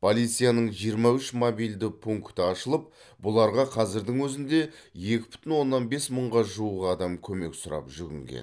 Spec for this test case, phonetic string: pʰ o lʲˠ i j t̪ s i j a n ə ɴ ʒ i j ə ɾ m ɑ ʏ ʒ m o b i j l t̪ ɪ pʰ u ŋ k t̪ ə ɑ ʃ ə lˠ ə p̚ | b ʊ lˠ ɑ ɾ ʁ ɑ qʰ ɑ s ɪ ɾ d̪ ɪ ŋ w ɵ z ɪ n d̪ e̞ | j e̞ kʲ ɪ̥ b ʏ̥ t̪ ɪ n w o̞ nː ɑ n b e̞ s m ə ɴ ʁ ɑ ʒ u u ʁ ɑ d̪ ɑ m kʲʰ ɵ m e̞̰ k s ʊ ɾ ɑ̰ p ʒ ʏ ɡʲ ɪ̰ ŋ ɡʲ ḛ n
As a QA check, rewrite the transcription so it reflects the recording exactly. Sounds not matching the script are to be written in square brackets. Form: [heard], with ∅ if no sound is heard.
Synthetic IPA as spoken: pʰ o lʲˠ i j t̪ s i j a n ə ɴ ʒ i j ə ɾ m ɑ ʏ [ʃ] m o b i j l [d̪] ɪ pʰ u ŋ k t̪ ə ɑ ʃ ə lˠ ə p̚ | b ʊ lˠ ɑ ɾ ʁ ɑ qʰ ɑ [z] ɪ ɾ d̪ ɪ ŋ w ɵ z ɪ n d̪ e̞ | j e̞ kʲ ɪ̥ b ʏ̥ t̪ ɪ n w o̞ nː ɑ n b e̞ s m ə ɴ ʁ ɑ ʒ u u ʁ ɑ d̪ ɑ m kʲʰ ɵ m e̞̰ k s ʊ ɾ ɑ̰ p ʒ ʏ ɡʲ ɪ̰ ŋ ɡʲ ḛ n

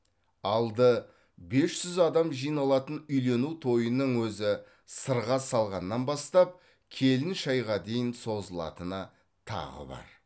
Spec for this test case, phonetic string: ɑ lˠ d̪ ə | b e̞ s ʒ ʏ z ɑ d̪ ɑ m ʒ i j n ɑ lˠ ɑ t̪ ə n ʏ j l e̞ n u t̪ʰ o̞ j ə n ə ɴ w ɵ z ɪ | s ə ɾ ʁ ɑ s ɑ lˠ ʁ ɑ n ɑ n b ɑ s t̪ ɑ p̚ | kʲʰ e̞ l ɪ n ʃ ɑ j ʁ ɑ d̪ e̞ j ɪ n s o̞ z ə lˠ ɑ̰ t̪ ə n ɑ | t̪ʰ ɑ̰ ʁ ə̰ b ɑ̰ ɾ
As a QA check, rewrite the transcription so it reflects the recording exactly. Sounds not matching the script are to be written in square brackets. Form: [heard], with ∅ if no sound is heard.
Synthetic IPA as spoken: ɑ lˠ d̪ ə | b e̞ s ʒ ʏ z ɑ d̪ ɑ m ʒ i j n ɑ lˠ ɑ t̪ ə n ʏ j l e̞ n u t̪ʰ o̞ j ə n ə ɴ w ɵ z ɪ | s ə ɾ ʁ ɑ s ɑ lˠ ʁ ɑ [nː] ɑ n b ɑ s t̪ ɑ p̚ | kʲʰ e̞ l ɪ n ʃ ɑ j ʁ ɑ d̪ e̞ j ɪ n s o̞ z ə lˠ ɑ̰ t̪ ə n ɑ | t̪ʰ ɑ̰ ʁ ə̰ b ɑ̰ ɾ

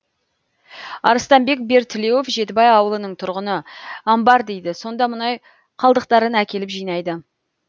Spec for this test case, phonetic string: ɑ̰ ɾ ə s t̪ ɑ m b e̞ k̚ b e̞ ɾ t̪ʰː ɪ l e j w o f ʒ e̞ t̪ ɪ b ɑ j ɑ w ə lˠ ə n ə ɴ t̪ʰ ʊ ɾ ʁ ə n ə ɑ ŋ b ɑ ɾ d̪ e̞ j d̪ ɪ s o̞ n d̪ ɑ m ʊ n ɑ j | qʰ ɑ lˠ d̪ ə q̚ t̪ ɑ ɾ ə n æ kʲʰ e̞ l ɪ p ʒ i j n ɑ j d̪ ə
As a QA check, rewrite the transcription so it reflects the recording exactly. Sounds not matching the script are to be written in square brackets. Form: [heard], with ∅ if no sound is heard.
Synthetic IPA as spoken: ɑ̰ ɾ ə s t̪ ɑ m b e̞ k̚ b e̞ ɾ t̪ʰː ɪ l e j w o f ʒ e̞ t̪ ɪ b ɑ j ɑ w ə lˠ ə n ə ɴ t̪ʰ ʊ ɾ ʁ ə n ə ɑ [m] b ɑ ɾ d̪ e̞ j d̪ ɪ s o̞ n d̪ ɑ m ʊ n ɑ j | qʰ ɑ lˠ d̪ ə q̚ t̪ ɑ ɾ ə n æ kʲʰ e̞ l ɪ p ʒ i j n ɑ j d̪ ə

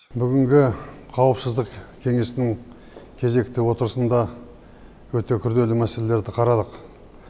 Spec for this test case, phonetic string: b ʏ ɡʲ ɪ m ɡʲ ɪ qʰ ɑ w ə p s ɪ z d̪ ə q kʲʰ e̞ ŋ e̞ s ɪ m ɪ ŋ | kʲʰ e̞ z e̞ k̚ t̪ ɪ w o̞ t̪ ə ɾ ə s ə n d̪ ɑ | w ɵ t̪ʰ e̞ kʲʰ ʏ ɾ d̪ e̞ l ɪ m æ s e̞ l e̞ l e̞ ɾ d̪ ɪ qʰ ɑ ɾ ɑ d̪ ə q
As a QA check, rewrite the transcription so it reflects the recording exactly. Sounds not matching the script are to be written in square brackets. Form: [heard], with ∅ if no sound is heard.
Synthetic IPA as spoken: b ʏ ɡʲ ɪ [ŋ] ɡʲ ɪ qʰ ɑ w ə p s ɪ z d̪ ə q kʲʰ e̞ ŋ e̞ s ɪ [n] ɪ ŋ | kʲʰ e̞ z e̞ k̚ t̪ ɪ w o̞ t̪ ə ɾ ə s ə n d̪ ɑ | w ɵ [t̪] e̞ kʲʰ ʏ ɾ d̪ e̞ l ɪ m æ s e̞ l e̞ l e̞ ɾ d̪ ɪ qʰ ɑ ɾ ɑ d̪ ə q

